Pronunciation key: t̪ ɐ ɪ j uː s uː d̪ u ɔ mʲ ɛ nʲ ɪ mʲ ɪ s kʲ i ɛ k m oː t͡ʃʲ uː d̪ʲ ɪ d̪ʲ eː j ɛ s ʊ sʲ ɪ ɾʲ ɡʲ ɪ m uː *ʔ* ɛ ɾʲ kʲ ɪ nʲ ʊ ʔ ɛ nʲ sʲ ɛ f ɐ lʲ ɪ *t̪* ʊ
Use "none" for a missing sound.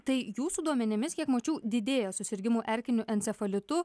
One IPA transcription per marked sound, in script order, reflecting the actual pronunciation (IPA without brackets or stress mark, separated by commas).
ʔ, t̪